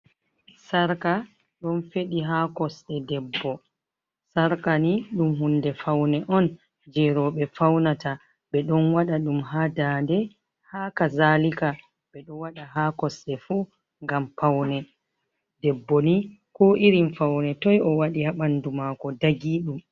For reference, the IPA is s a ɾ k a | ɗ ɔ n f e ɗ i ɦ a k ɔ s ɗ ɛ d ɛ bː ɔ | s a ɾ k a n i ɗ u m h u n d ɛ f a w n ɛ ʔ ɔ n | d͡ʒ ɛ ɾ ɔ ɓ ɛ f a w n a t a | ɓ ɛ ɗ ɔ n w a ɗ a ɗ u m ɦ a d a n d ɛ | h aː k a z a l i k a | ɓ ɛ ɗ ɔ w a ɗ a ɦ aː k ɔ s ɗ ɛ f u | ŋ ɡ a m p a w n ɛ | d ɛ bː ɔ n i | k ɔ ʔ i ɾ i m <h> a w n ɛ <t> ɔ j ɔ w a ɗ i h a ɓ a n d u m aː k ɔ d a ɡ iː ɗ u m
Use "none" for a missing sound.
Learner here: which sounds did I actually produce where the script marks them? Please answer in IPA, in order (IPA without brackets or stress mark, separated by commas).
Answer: f, t